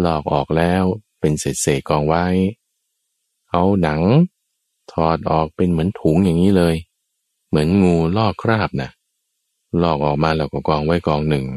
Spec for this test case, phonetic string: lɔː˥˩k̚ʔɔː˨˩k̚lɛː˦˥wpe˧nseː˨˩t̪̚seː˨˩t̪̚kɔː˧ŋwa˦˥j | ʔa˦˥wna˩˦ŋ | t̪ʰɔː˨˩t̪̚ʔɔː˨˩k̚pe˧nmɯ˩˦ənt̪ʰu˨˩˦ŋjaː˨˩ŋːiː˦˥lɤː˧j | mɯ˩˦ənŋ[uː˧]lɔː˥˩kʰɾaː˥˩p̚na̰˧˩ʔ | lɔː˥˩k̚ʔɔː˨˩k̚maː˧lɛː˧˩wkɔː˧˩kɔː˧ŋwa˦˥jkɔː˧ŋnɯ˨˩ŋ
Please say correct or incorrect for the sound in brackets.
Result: correct